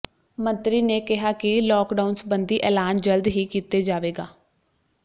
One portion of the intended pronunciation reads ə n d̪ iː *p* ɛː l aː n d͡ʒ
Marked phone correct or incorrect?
incorrect